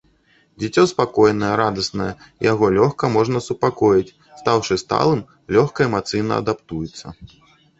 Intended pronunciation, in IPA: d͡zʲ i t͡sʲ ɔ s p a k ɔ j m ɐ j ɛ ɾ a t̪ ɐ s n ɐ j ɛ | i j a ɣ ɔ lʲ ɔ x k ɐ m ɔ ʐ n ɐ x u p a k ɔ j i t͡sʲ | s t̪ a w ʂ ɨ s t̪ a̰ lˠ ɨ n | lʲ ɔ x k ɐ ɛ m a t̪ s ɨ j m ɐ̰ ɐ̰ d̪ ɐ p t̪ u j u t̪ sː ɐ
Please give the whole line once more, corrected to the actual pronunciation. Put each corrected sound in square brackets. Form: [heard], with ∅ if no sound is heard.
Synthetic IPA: d͡zʲ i t͡sʲ ɔ s p a k ɔ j [n] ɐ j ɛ ɾ a [d̪] ɐ s n ɐ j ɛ | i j a ɣ ɔ lʲ ɔ x k ɐ m ɔ ʐ n ɐ [s] u p a k ɔ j i t͡sʲ | s t̪ a w ʂ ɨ s t̪ a̰ lˠ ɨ [m] | lʲ ɔ x k ɐ ɛ m a t̪ s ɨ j [n] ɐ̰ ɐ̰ d̪ [a] p t̪ u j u t̪ sː ɐ